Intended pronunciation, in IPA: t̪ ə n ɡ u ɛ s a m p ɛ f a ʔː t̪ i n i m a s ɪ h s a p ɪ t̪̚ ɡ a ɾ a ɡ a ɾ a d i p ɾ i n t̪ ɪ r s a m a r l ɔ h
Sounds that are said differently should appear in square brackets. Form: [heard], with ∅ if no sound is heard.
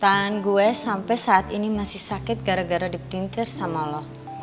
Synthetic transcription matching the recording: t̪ [a] n ɡ u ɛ s a m p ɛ [s] a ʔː t̪ i n i m a s ɪ h s a [k] ɪ t̪̚ ɡ a ɾ a ɡ a ɾ a d i p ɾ i n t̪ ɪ r s a m a [∅] l ɔ h